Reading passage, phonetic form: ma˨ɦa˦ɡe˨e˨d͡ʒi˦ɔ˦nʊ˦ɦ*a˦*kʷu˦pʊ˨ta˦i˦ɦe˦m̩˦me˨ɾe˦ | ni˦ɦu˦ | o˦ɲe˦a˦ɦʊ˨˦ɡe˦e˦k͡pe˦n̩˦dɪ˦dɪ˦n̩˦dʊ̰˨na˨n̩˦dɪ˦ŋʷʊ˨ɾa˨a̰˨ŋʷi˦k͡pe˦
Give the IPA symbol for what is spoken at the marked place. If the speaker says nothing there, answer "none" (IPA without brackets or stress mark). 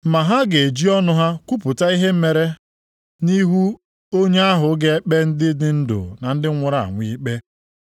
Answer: a˦